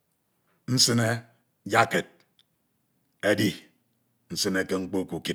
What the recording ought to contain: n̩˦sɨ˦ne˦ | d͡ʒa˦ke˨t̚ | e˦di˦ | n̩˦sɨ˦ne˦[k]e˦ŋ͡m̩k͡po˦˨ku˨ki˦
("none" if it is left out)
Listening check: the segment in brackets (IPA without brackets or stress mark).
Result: k